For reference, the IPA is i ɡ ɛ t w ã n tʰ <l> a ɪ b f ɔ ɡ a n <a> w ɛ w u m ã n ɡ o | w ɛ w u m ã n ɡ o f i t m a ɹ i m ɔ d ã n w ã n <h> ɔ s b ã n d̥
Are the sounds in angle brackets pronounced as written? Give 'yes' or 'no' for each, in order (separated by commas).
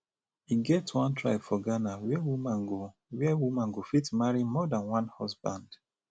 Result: no, yes, yes